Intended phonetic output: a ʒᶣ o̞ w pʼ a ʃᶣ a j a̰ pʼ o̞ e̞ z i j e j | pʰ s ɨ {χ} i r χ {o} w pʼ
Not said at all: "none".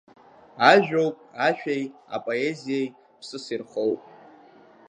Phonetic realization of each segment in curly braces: s, o

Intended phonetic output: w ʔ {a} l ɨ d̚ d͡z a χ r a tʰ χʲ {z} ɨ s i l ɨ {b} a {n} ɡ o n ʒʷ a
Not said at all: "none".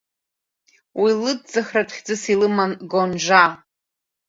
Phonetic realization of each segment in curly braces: i, d͡z, m, n

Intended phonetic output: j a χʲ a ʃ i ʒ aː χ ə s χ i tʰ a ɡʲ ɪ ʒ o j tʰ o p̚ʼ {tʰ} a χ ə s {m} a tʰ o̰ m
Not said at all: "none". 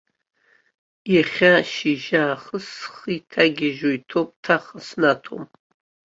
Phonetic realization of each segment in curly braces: tʰ, n

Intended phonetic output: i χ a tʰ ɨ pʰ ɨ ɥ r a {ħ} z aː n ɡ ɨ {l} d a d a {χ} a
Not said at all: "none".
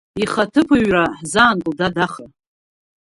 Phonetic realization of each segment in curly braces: ħ, l, χ

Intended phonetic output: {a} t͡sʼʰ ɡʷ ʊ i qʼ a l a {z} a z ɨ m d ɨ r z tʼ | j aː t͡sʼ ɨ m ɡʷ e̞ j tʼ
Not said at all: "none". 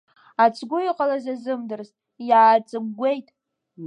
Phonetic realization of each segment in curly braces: a, z

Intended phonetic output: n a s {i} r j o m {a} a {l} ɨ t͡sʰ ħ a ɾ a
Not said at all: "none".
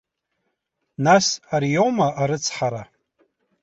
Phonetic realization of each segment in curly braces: a, a, ɾ

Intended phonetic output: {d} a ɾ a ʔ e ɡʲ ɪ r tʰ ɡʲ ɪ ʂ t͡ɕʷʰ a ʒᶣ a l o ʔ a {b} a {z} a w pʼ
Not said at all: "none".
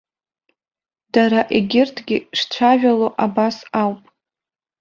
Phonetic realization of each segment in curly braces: d, b, s

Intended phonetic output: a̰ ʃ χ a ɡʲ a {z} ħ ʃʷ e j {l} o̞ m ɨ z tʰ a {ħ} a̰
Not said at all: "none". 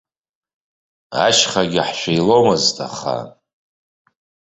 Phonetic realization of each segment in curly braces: none, l, χ

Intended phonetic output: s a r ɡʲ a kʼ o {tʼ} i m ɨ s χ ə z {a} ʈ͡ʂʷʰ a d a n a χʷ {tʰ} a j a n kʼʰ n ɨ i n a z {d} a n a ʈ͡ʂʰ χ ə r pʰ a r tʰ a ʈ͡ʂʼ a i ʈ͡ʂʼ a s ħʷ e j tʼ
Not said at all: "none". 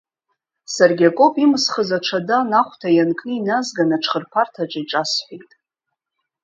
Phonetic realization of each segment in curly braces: pʼ, a, tʰ, ɡ

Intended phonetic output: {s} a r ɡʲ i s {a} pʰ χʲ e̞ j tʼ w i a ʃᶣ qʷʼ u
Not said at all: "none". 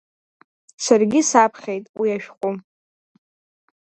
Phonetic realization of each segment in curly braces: s, a

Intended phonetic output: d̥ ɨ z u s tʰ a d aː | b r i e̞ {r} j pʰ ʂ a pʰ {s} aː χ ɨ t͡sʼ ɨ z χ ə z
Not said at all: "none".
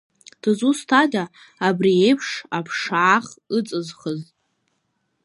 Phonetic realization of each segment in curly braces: none, ʂ

